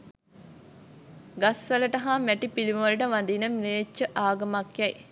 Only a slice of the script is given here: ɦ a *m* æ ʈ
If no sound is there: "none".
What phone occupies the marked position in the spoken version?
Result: m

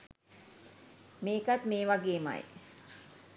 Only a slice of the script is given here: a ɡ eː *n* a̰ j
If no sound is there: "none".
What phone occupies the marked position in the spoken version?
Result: m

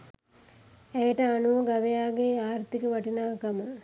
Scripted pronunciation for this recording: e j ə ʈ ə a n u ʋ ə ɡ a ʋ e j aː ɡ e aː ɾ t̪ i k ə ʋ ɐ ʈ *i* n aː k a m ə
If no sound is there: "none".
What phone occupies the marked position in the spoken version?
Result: i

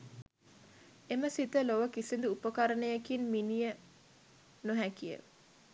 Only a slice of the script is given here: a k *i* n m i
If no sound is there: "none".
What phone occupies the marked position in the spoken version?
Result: i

